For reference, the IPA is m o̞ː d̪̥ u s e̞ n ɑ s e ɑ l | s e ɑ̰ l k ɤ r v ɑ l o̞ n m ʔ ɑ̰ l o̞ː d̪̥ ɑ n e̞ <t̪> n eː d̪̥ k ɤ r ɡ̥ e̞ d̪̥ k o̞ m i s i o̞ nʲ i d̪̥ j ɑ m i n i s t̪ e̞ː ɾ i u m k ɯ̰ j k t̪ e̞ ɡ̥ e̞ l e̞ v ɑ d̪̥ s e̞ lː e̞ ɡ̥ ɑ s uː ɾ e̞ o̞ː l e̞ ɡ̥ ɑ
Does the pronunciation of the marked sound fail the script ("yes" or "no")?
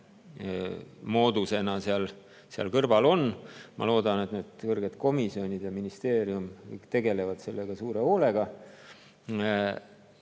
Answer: no